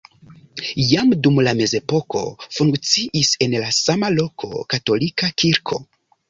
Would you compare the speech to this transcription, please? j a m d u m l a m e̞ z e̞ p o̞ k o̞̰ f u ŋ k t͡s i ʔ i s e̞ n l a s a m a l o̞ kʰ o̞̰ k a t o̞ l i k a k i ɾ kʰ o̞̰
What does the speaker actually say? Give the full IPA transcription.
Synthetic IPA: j a m d u m l a m e̞ z e̞ p o̞ k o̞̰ f u ŋ k t͡s i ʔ i s e̞ n l a s a m a l o̞ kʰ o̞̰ k a t o̞ l i k a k i ɾ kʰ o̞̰